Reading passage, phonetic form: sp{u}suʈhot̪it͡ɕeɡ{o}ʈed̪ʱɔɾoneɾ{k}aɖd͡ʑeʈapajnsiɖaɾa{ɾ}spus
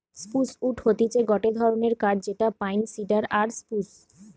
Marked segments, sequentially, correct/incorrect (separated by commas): correct, incorrect, correct, correct